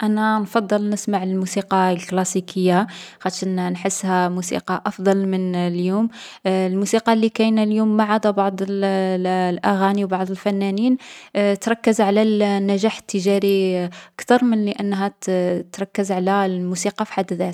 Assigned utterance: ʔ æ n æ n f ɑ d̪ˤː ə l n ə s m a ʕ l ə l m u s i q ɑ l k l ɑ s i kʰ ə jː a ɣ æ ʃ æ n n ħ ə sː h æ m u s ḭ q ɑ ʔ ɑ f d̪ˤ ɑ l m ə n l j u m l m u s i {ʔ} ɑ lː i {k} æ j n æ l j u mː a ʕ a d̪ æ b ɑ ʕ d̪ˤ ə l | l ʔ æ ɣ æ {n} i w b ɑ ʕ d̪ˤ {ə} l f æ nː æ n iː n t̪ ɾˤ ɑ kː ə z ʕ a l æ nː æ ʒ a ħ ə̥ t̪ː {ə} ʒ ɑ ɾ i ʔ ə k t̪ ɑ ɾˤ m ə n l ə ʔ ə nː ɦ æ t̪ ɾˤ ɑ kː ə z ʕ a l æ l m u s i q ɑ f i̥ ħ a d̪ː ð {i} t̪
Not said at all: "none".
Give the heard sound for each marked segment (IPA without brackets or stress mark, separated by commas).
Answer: q, k, n, ə, ə, æ